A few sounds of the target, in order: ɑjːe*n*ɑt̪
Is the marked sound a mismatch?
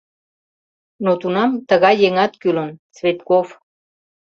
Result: yes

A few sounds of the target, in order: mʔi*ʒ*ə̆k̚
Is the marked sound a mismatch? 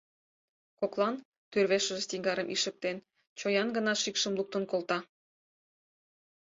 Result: yes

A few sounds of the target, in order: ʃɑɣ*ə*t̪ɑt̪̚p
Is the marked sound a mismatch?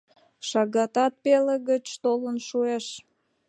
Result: yes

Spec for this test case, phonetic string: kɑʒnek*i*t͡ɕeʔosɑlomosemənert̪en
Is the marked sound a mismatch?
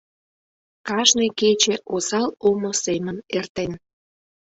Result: yes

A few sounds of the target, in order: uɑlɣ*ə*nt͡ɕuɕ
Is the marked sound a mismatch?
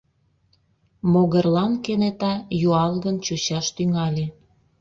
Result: no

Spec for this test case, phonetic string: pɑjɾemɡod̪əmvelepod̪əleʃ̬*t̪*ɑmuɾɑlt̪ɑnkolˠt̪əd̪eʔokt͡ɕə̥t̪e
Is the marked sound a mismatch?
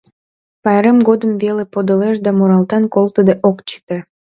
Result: yes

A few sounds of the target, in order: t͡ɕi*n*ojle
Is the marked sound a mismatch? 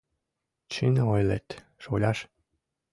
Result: no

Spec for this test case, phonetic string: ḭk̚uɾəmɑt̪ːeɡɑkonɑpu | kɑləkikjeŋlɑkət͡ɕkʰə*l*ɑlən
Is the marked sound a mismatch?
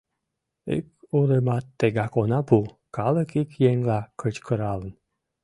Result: yes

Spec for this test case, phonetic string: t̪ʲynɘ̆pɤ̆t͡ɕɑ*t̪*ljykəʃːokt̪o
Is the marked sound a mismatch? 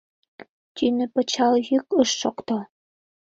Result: yes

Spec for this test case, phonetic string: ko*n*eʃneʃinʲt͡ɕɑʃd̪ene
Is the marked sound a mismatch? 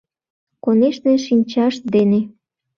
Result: no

